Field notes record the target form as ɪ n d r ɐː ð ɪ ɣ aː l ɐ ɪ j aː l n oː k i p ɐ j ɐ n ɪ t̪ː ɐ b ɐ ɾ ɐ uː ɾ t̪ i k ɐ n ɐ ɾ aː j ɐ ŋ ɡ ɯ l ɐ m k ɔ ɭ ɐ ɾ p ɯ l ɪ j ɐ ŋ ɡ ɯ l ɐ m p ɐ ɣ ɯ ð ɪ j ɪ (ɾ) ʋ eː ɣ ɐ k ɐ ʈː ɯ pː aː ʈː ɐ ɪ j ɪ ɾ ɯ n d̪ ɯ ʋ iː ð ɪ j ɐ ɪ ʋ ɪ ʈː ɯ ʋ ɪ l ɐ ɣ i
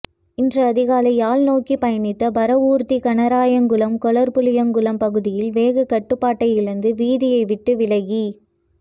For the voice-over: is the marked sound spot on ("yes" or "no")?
no